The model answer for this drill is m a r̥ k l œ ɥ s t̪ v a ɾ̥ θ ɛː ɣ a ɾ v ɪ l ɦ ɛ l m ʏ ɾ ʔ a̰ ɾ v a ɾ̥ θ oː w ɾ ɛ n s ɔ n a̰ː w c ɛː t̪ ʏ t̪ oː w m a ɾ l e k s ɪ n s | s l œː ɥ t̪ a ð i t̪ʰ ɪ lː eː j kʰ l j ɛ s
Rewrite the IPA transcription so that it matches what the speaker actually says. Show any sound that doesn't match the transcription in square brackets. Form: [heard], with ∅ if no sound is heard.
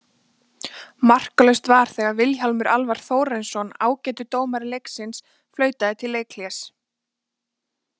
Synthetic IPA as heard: m a r̥ k l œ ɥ s t̪ v a ɾ̥ θ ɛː ɣ a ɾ v ɪ l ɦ [a] l m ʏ ɾ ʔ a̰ [l] v a ɾ̥ θ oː w ɾ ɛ n s ɔ n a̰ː w c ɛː t̪ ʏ t̪ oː w m a ɾ l e k s ɪ n s | [f] l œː ɥ t̪ a ð [ɪ] t̪ʰ ɪ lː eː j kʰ l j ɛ s